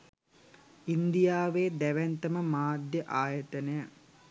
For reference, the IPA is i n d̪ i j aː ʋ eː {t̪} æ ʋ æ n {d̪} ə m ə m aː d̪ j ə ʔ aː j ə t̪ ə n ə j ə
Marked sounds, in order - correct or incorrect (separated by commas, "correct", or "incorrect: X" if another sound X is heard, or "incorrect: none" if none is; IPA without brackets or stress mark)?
incorrect: d̪, incorrect: t̪